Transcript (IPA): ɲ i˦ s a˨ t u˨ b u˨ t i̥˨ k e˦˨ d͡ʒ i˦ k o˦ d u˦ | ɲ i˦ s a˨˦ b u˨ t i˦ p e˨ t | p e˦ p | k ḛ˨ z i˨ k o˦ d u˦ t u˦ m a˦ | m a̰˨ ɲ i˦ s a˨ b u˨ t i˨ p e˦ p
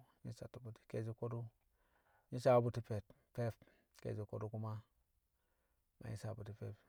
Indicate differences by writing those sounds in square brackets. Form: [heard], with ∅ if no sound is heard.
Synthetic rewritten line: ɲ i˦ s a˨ t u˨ b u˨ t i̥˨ k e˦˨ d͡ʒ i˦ k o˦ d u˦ | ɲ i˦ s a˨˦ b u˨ t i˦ p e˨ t | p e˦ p | k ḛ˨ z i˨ k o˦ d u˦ [k] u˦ m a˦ | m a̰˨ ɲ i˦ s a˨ b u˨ t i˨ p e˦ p

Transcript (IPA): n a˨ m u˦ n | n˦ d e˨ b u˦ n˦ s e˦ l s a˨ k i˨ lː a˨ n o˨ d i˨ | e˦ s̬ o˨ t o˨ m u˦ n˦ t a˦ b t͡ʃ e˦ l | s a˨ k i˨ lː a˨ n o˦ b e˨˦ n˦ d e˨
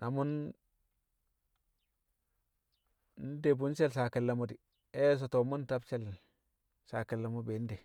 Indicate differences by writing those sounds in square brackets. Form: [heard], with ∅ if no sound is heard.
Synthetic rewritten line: n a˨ m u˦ n | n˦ d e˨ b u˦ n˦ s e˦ l s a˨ k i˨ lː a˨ [m] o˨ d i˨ | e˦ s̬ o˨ t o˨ m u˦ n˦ t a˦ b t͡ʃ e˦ l | s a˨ k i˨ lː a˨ [m] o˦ b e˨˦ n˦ d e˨

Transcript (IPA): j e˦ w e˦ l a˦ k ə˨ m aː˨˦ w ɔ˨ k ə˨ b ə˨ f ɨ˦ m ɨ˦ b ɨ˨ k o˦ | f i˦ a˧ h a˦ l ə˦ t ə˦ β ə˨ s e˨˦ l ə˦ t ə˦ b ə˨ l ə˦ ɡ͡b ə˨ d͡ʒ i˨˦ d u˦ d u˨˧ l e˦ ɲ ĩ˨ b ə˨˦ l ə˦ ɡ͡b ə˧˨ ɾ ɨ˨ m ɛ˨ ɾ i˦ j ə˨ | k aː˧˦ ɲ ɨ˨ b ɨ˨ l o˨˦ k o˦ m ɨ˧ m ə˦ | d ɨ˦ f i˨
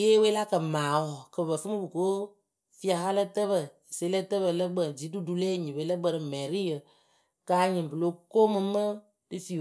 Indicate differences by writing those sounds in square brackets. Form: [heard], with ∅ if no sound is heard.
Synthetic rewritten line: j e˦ w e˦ l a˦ k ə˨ m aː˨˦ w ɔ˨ k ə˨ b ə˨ f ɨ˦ m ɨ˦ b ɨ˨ k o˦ | f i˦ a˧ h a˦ l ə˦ t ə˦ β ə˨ s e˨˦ l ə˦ t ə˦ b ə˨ l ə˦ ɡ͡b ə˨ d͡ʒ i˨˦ d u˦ d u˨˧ l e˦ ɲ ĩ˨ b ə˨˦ l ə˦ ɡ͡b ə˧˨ ɾ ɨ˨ m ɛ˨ ɾ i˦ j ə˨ | k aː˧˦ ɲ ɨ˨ b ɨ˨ l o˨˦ k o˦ m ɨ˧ m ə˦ | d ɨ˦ f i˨

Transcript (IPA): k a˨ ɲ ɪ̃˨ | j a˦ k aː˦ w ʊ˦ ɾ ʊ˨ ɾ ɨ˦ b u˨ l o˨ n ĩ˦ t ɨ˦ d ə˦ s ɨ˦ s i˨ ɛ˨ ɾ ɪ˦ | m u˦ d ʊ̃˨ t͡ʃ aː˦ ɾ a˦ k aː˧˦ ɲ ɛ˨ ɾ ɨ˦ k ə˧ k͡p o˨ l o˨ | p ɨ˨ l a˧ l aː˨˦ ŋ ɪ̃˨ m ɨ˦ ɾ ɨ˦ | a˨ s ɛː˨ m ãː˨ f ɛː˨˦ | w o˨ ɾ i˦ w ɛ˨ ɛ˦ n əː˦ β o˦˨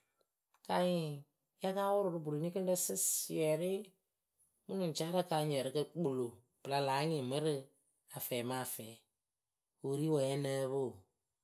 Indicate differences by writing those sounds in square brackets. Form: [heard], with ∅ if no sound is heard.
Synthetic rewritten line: k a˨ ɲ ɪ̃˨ | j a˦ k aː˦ w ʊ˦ ɾ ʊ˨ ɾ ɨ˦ b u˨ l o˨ n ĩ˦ [k] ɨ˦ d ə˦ s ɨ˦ s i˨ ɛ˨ ɾ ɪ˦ | m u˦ [n] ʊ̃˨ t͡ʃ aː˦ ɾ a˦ k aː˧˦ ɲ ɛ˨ ɾ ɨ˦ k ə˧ k͡p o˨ l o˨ | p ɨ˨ l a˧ l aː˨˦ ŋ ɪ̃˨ m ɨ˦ ɾ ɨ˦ | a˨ [f] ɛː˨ m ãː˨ f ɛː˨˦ | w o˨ ɾ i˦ w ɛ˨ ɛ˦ n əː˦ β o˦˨

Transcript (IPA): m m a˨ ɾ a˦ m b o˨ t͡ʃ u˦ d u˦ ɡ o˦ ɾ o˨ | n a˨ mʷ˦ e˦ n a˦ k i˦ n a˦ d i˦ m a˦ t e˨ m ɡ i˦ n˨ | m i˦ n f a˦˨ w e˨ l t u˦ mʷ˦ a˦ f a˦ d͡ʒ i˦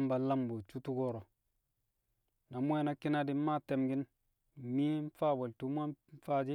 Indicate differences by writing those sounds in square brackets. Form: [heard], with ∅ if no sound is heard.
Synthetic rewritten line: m [b] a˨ [l] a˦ m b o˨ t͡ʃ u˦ [t] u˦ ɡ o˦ ɾ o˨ | n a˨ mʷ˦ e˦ n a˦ k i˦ n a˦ d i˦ m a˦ t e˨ m ɡ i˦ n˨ | m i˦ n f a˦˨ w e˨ l t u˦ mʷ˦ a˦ f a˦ d͡ʒ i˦

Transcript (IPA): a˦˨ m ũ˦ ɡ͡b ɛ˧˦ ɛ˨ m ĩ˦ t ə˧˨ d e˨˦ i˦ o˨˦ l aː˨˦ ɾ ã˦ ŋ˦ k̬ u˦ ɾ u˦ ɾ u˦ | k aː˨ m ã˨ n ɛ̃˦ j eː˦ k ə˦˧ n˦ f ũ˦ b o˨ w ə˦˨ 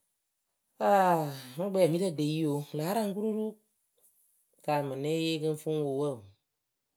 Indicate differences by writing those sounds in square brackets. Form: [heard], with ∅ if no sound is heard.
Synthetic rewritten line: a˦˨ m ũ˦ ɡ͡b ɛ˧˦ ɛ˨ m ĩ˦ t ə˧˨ d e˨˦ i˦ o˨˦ l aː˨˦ ɾ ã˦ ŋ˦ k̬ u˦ ɾ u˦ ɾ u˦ | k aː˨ m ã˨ n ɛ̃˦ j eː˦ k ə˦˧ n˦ f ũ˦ [w] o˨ w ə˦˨

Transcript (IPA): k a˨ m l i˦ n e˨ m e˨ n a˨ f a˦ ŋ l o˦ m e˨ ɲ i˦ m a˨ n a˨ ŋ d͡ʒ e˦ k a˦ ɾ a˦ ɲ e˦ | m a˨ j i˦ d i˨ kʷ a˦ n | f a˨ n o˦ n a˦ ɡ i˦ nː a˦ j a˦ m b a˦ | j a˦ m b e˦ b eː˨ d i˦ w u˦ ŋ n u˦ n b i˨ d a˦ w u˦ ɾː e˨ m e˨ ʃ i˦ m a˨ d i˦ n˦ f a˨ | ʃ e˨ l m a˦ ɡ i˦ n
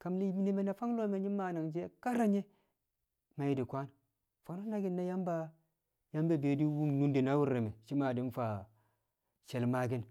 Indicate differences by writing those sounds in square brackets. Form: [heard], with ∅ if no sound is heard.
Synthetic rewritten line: k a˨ m l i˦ n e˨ m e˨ n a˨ f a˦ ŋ l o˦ m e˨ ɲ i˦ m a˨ n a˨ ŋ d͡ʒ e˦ k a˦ ɾ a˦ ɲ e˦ | m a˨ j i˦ d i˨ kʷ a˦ n | f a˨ n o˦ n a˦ ɡ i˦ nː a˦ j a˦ m b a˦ | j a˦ m b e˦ b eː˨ d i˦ w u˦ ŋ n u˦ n [d] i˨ [n] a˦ w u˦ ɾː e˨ m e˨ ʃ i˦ m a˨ d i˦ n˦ f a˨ | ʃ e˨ l m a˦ ɡ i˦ n

